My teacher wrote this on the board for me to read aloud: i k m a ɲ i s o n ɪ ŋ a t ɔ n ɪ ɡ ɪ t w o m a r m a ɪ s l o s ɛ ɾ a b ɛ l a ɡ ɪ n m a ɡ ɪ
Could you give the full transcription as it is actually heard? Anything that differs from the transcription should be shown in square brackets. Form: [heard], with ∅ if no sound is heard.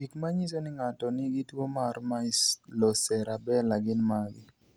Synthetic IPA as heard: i k m a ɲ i s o n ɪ ŋ a t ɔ n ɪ ɡ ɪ t w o m a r m a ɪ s l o s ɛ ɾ a b ɛ l a ɡ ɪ n m a ɡ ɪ